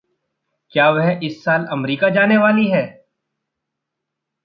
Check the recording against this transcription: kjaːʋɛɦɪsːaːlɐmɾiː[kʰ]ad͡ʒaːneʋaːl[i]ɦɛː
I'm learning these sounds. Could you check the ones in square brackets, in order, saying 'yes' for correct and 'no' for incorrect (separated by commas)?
no, yes